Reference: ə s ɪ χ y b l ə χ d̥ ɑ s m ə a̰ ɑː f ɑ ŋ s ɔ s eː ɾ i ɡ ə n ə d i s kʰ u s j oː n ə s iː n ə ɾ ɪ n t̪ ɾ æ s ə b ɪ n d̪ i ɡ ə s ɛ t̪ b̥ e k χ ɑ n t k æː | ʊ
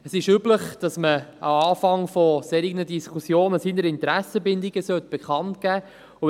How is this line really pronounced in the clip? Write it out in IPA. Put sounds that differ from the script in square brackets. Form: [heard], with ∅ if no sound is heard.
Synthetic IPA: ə s ɪ [ʃ] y b l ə χ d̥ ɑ s m ə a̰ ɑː f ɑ ŋ [f] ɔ s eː ɾ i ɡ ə n ə d i s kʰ u s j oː n ə s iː n ə ɾ ɪ n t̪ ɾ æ s ə b ɪ n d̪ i ɡ ə s [œ] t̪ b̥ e k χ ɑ n t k æː | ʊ